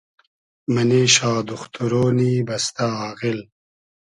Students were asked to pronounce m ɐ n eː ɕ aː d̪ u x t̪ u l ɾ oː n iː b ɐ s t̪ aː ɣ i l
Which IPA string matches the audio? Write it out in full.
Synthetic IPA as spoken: m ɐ n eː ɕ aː d̪ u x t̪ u ɾ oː n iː b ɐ s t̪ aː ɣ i l

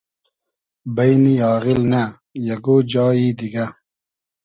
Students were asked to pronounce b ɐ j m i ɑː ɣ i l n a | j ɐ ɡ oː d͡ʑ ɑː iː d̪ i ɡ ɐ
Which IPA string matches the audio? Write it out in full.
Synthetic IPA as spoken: b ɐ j n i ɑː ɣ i l n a | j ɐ ɡ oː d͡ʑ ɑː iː d̪ i ɡ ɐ

